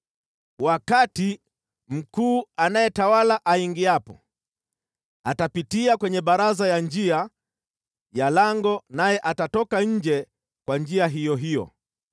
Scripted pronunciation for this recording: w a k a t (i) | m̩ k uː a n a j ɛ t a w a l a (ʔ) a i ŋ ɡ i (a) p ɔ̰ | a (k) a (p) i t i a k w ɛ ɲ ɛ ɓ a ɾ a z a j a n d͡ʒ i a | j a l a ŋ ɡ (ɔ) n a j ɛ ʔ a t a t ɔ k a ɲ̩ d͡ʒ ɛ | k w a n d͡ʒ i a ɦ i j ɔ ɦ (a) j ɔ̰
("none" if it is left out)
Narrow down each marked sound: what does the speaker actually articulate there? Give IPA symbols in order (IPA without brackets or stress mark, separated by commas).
i, ʔ, a, t, p, ɔ, i